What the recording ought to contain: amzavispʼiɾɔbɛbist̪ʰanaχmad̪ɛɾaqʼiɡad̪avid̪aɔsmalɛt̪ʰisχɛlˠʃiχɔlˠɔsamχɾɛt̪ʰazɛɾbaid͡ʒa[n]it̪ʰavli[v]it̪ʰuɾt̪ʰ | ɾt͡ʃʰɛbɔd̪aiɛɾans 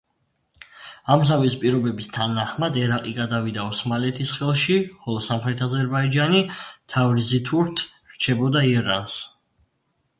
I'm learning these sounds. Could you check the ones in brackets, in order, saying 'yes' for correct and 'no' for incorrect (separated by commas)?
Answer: yes, no